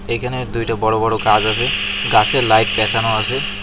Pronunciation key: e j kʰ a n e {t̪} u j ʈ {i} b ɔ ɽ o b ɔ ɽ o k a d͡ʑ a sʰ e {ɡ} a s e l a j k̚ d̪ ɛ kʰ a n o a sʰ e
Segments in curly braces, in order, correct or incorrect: incorrect, incorrect, correct

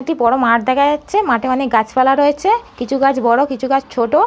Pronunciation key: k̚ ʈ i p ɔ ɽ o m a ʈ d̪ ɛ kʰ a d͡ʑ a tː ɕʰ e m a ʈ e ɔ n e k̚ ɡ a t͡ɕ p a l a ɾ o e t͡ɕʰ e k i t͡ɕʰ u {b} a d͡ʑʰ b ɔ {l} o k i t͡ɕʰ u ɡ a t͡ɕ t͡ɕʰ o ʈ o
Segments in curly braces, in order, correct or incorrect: incorrect, incorrect

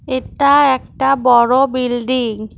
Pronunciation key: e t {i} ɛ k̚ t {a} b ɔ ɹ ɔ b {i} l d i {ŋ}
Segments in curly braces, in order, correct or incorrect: incorrect, correct, correct, correct

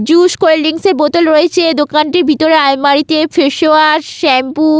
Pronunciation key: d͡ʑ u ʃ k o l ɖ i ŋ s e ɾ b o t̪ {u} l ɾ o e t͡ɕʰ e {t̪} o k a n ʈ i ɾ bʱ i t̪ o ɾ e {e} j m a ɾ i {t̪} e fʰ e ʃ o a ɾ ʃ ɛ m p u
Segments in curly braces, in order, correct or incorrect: incorrect, incorrect, incorrect, correct

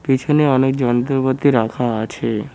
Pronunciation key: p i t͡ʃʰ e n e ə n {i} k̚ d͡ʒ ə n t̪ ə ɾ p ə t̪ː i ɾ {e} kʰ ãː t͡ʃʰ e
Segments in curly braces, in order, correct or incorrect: incorrect, incorrect

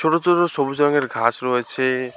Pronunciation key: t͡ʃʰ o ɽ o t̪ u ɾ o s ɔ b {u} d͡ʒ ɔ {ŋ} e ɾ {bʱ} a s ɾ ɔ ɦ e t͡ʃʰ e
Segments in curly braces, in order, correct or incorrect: correct, correct, incorrect

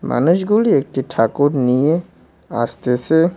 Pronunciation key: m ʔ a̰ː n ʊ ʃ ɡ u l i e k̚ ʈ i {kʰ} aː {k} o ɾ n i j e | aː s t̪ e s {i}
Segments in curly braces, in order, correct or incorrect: incorrect, correct, incorrect

